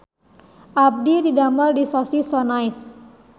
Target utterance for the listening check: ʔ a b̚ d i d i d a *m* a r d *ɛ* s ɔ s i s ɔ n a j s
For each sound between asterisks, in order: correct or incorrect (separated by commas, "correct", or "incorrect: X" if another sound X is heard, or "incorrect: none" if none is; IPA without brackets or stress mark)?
correct, incorrect: i